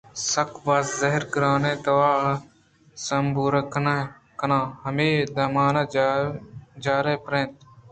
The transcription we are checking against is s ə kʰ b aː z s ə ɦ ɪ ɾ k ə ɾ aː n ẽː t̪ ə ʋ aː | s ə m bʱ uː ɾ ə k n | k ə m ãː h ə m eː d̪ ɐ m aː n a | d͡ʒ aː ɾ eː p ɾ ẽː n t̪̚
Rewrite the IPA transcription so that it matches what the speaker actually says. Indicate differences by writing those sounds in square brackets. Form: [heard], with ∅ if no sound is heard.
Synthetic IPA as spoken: s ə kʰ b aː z [z] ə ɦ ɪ ɾ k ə ɾ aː n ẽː t̪ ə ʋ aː | s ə m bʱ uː ɾ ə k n | k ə [n] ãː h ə m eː d̪ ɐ m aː n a | d͡ʒ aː ɾ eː p ɾ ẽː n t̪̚